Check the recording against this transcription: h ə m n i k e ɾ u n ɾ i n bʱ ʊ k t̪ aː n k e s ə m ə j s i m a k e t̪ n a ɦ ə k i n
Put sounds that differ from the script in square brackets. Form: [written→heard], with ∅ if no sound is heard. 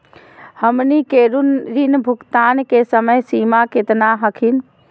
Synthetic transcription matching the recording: h ə m n i k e ɾ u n ɾ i n bʱ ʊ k t̪ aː n k e s ə m ə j s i m a k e t̪ n a ɦ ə [k→kʰ] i n